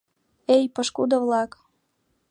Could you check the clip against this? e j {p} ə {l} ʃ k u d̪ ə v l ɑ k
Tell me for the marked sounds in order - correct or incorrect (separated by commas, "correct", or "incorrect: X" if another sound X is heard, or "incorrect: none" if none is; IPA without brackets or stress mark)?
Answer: correct, incorrect: none